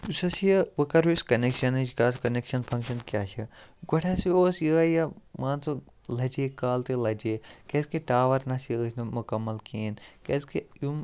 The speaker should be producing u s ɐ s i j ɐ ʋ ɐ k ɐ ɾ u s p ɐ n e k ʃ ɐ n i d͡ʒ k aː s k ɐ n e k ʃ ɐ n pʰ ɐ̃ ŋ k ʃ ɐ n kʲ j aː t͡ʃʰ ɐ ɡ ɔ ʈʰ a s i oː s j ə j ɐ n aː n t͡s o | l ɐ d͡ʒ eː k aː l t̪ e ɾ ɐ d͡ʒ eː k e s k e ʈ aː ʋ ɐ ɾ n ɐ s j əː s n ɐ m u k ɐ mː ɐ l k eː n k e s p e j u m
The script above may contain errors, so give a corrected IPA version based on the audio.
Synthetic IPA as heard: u s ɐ s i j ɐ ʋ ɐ k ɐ ɾ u s k ɐ n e k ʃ ɐ n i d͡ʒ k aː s k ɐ n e k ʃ ɐ n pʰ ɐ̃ ŋ k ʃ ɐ n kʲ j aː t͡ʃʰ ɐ ɡ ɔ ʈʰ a s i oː s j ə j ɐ m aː n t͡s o | l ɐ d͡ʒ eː k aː l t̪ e l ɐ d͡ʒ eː k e s k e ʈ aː ʋ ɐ ɾ n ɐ s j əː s n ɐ m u k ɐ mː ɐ l k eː n k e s k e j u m